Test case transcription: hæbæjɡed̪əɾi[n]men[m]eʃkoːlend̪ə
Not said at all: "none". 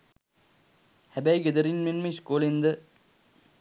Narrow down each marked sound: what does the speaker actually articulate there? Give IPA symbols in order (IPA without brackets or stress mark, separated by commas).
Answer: n, m